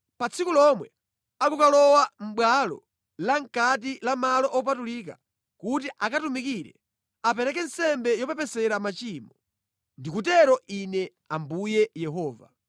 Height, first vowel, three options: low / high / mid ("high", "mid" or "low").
low